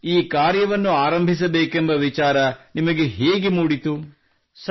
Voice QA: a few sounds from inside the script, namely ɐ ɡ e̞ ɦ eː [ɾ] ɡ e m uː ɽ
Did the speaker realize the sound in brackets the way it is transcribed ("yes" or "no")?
no